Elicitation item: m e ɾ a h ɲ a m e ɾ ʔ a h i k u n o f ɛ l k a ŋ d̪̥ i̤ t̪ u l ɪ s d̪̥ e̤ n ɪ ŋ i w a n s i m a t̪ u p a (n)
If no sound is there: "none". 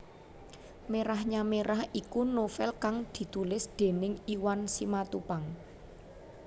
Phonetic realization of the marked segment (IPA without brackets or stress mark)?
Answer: ŋ